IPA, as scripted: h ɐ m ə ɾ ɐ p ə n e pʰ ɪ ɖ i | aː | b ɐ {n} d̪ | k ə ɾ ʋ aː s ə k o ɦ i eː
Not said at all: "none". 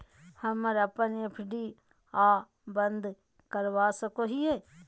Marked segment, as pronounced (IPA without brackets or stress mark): n